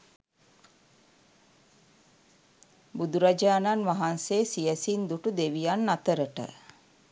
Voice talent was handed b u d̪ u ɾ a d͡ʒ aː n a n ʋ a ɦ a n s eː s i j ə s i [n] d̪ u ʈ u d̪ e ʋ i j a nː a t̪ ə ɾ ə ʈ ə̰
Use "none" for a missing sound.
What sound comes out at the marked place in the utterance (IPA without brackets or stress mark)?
n